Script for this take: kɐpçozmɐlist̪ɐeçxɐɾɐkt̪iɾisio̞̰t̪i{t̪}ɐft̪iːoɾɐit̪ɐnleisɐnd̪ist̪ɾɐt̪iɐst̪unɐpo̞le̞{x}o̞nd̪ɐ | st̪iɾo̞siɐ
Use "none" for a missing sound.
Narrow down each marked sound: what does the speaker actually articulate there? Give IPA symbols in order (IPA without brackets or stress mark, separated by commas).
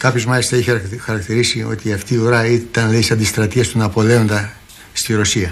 none, none